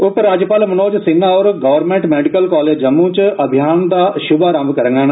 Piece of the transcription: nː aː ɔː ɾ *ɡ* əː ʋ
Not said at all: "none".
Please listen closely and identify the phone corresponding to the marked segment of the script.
ɡ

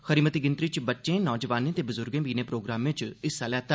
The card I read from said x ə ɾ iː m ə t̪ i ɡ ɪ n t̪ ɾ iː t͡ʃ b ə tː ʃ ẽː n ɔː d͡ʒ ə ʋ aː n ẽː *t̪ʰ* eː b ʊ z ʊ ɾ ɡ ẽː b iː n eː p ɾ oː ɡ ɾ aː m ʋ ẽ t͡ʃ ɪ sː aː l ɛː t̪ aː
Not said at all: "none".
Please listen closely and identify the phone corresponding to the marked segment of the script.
t̪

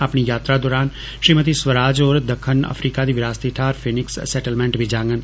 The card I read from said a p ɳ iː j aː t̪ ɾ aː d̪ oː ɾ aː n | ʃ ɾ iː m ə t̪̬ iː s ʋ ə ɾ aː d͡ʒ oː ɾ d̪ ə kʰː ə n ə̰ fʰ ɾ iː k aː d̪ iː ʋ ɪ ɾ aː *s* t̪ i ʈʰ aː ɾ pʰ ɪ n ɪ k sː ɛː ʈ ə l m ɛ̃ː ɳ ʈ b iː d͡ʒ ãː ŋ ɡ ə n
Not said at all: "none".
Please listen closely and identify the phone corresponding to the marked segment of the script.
s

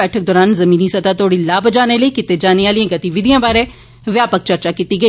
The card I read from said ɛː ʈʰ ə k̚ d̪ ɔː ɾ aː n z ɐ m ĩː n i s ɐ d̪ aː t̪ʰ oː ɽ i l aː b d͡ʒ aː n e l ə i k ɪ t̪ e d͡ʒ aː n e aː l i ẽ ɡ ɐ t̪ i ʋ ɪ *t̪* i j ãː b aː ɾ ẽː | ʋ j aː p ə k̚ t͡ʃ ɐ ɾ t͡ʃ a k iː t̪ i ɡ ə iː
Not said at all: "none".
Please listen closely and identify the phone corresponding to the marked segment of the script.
d̪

